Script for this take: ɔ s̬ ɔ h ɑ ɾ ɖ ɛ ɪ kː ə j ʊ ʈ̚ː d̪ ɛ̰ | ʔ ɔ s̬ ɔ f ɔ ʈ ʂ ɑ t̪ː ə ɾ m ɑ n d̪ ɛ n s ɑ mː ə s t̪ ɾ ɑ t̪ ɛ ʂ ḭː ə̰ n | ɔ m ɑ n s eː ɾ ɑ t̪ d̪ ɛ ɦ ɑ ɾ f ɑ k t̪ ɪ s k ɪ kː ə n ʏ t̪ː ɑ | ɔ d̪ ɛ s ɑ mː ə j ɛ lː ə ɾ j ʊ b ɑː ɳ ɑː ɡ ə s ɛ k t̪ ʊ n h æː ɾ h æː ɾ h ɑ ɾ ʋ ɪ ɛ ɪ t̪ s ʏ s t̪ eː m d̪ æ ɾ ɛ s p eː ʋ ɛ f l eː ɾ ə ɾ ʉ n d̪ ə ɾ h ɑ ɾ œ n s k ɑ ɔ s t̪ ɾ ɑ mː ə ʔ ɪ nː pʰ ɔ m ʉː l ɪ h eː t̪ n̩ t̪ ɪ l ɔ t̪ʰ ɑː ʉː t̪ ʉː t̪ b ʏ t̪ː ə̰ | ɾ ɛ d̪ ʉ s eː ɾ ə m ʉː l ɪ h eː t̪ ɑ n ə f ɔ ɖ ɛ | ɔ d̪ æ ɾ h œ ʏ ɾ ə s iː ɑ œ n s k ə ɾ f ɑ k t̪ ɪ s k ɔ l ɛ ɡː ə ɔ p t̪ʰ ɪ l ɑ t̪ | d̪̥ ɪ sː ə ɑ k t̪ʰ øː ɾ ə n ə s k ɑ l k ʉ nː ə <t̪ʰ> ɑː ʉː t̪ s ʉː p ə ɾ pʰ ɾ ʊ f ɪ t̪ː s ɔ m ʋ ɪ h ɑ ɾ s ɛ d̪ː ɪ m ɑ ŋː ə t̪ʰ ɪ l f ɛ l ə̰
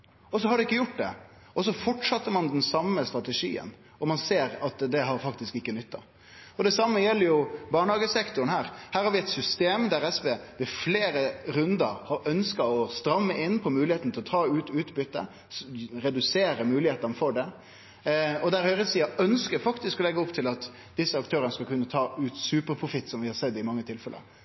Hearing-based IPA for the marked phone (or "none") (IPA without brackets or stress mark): t̪ʰ